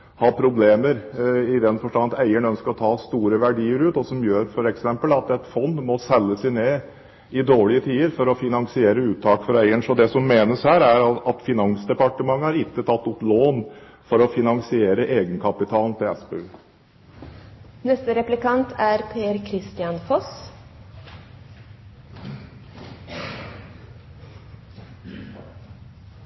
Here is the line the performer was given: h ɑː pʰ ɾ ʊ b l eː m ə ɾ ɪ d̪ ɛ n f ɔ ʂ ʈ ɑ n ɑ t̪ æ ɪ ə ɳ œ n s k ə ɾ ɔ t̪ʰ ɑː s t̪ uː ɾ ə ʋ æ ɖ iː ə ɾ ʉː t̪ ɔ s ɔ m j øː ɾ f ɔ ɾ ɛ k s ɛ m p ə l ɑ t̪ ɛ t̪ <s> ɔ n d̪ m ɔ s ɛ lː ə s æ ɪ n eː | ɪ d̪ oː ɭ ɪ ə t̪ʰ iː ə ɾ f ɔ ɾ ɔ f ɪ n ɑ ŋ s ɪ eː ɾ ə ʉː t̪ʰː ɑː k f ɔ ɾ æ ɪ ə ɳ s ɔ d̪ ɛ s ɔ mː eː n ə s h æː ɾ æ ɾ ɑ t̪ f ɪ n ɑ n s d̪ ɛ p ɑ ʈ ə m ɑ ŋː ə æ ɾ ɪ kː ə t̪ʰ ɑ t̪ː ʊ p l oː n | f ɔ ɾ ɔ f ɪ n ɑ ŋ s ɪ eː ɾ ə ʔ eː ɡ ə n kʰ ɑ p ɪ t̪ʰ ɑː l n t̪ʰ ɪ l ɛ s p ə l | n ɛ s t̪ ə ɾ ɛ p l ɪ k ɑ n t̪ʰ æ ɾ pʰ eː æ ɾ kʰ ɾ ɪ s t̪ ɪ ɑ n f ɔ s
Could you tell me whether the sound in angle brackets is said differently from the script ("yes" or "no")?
yes